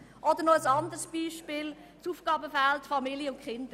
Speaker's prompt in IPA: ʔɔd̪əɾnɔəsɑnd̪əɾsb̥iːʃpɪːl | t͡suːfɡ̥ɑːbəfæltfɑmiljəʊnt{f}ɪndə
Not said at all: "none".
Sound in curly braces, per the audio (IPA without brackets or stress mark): χ